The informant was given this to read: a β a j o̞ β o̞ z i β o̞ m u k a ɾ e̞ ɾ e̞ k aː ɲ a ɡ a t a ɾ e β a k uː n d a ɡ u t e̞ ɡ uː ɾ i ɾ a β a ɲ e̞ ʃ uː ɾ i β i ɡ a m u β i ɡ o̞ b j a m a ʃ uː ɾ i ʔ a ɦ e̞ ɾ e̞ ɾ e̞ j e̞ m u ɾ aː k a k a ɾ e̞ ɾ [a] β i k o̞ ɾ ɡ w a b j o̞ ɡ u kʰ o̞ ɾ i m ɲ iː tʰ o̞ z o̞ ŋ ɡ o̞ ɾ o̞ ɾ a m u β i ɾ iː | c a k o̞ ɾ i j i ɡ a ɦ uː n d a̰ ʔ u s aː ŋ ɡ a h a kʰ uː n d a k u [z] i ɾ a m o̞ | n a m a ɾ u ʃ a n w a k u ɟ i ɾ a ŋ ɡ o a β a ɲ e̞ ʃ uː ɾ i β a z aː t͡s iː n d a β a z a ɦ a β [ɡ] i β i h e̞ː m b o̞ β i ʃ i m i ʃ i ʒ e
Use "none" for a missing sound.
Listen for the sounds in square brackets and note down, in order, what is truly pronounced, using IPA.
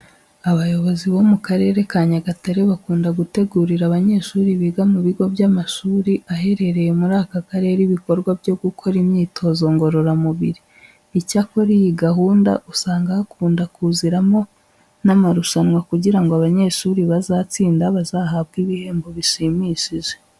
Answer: i, z, ɡ

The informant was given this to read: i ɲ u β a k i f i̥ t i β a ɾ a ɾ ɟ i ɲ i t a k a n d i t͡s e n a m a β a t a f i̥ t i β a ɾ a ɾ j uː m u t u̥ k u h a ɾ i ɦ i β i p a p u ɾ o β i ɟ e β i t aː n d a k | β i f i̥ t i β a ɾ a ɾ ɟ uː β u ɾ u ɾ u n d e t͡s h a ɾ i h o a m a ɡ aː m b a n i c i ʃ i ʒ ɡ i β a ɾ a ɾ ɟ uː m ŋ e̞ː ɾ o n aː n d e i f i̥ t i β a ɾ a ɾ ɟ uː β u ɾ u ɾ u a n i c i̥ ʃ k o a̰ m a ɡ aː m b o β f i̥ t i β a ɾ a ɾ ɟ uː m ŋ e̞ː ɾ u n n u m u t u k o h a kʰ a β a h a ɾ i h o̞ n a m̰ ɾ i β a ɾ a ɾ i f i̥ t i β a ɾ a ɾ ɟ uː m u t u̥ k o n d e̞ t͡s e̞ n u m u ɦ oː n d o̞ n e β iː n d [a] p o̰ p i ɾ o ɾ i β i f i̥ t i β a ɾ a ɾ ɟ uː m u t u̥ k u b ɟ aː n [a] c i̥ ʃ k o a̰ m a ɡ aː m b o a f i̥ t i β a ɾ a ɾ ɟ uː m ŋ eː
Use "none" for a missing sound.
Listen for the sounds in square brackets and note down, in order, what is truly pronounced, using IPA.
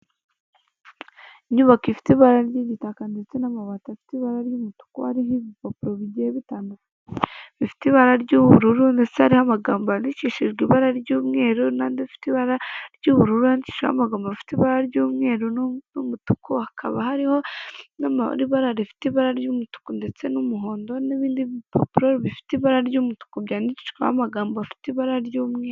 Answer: i, i

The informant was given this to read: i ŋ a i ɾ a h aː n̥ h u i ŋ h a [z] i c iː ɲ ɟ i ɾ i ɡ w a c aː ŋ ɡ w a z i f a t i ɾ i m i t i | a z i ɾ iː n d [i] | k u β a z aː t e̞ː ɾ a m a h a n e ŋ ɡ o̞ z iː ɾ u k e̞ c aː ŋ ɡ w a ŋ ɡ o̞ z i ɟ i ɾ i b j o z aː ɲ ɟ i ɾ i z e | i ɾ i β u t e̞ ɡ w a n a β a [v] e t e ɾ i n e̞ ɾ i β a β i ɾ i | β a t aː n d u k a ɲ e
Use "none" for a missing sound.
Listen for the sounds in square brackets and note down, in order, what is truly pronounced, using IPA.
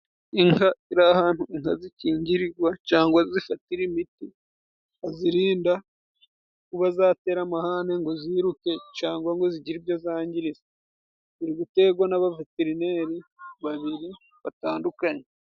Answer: z, a, v

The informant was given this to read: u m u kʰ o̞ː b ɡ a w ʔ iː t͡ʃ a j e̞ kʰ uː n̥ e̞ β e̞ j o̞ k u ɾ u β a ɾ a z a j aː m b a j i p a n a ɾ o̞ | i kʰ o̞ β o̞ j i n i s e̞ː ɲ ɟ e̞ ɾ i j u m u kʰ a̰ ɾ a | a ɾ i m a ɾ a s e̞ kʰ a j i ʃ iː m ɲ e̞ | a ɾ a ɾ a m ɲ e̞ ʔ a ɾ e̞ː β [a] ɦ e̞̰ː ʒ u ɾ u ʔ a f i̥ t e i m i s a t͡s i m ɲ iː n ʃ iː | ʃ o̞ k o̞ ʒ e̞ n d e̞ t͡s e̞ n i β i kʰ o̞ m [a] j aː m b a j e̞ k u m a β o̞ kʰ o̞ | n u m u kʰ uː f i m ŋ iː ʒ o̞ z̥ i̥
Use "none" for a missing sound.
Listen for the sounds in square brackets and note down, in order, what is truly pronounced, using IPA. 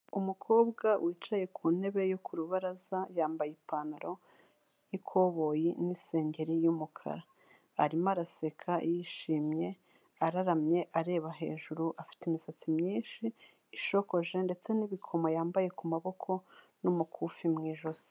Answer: a, a

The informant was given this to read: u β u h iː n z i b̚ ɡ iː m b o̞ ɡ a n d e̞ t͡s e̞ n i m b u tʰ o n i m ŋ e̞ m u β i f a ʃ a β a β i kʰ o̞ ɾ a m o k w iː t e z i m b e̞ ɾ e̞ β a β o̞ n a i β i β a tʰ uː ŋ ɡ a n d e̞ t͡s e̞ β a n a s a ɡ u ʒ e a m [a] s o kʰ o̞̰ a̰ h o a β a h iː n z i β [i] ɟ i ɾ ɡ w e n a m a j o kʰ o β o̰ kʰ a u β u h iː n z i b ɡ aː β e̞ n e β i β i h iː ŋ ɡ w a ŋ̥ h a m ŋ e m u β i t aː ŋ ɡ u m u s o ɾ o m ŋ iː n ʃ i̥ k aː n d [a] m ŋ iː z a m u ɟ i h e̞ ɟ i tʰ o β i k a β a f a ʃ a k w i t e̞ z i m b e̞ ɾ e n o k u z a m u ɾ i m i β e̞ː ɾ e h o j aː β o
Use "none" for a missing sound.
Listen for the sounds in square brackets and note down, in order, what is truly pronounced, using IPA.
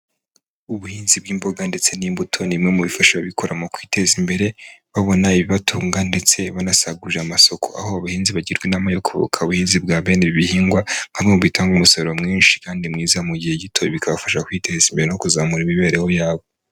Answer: a, a, i

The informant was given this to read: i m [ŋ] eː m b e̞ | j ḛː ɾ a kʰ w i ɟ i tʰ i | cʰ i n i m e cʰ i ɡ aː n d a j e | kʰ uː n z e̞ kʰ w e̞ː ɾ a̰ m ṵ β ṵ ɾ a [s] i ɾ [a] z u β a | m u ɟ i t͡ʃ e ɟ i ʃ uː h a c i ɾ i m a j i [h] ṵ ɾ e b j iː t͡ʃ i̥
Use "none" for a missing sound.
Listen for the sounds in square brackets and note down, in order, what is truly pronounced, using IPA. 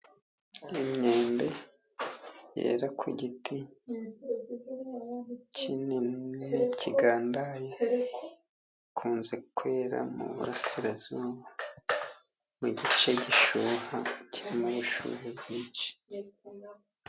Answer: ɲ, s, a, ʃ

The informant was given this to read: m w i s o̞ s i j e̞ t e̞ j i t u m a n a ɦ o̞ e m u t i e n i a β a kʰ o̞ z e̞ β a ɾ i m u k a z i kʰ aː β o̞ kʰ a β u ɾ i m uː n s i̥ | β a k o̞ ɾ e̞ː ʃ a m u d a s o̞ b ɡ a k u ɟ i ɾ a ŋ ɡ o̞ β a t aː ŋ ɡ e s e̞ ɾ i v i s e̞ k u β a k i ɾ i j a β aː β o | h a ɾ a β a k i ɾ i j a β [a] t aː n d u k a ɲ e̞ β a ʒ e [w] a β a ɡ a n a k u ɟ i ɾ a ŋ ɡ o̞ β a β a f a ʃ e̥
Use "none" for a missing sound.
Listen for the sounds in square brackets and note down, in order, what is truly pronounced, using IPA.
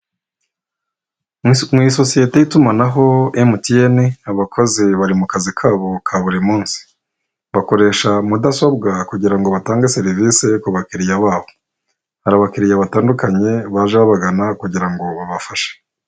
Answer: a, β

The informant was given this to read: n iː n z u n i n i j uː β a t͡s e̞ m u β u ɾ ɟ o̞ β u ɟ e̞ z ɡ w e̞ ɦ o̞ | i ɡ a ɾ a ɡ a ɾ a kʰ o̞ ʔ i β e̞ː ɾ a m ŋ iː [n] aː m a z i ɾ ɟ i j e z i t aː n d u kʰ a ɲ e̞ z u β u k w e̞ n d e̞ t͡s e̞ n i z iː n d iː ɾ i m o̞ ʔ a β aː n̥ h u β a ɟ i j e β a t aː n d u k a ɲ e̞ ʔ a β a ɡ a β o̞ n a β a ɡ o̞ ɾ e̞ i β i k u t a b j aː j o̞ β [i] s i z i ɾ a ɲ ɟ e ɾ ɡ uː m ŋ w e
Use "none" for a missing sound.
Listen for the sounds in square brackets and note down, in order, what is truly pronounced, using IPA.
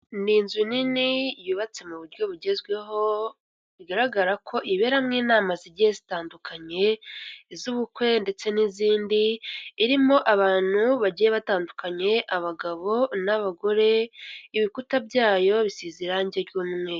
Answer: n, i

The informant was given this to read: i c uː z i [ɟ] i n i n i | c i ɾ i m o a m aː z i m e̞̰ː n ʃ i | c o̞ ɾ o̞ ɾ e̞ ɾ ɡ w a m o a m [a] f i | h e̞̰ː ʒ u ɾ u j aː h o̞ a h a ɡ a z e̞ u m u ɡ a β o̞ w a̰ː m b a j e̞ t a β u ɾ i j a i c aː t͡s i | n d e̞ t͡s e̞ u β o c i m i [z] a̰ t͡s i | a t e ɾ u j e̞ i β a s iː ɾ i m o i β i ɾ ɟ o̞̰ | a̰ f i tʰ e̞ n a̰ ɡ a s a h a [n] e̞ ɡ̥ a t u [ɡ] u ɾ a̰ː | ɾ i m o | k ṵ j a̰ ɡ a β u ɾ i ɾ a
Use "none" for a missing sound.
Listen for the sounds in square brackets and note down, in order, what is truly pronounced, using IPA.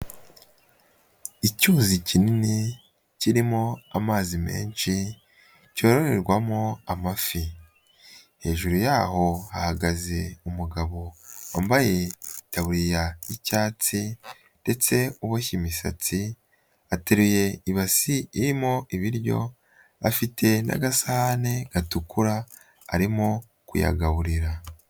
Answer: c, a, s, n, k

